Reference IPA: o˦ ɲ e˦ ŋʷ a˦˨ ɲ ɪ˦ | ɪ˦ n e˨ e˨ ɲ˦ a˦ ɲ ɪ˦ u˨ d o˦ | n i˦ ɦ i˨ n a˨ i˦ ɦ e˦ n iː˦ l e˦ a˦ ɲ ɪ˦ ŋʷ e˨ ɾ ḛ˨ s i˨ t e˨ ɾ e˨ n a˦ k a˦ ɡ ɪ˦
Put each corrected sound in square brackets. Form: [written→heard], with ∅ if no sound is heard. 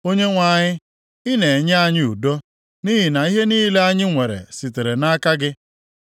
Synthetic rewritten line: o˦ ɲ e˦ ŋʷ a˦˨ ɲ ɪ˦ | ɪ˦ n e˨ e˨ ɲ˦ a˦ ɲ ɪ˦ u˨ d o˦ | n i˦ ɦ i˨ n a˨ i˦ ɦ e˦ n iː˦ l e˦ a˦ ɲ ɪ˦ ŋʷ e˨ ɾ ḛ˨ s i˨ t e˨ ɾ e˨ n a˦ k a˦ ɡ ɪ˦